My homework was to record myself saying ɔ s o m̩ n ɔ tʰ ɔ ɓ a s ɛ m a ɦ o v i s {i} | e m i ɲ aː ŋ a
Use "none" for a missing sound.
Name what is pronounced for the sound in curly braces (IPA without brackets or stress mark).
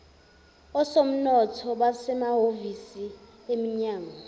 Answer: i